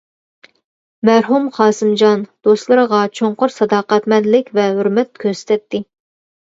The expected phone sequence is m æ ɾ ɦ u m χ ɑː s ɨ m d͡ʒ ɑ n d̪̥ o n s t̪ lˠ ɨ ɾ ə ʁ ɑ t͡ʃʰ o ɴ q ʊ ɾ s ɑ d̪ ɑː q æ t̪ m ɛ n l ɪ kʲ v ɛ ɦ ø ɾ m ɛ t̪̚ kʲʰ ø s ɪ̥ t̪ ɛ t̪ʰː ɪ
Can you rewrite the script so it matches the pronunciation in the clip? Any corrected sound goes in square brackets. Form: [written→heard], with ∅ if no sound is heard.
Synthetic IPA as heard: m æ ɾ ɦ u m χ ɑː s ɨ m d͡ʒ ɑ n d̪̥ o [n→∅] s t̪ lˠ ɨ ɾ ə ʁ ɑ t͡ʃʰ o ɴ q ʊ ɾ s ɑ d̪ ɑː q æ t̪ m ɛ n l ɪ kʲ v ɛ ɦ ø ɾ m ɛ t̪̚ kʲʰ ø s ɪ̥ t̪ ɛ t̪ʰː ɪ